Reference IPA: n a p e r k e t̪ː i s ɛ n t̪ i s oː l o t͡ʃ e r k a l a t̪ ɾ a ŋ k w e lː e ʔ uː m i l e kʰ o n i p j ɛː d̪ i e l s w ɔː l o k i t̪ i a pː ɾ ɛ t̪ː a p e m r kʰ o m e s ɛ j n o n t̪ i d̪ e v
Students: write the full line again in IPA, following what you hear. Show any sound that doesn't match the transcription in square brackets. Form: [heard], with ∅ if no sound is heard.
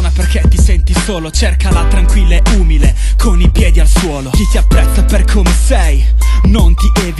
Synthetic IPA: n a p e r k e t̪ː i s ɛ n t̪ i s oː l o t͡ʃ e r k a l a t̪ ɾ a ŋ k w [i] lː e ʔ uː m i l e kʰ o n i p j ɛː d̪ i [a] l s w ɔː l o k i t̪ i a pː ɾ ɛ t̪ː a p e [∅] r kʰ o m e s ɛ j n o n t̪ i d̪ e v